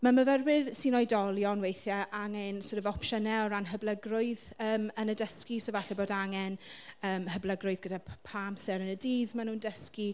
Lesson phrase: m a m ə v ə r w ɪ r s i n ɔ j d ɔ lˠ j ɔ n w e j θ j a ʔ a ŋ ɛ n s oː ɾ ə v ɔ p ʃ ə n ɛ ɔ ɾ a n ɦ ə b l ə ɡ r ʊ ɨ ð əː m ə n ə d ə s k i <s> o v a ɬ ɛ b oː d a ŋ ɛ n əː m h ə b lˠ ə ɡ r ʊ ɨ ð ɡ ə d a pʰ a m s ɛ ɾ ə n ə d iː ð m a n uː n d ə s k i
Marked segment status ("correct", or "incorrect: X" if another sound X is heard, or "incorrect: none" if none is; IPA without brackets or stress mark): correct